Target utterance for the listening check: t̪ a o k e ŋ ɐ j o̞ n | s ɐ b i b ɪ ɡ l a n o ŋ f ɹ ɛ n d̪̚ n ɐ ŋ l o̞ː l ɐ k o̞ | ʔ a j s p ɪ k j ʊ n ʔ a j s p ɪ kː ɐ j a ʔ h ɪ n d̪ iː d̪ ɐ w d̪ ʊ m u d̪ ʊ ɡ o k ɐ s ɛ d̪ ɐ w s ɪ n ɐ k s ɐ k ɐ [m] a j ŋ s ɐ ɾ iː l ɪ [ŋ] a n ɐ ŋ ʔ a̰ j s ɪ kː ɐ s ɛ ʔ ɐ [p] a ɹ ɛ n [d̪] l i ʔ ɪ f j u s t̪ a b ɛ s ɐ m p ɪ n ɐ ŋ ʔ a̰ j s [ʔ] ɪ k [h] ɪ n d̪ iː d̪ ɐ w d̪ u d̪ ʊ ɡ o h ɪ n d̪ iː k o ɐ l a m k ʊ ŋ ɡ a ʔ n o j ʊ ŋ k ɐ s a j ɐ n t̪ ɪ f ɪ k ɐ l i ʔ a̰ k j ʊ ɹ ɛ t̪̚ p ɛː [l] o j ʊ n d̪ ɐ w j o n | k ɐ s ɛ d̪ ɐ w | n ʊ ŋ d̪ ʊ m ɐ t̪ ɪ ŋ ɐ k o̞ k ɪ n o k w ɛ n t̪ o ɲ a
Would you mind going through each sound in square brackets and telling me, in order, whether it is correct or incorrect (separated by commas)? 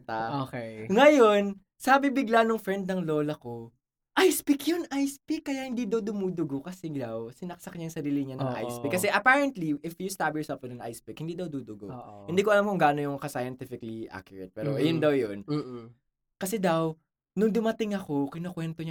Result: incorrect, incorrect, correct, incorrect, incorrect, correct, incorrect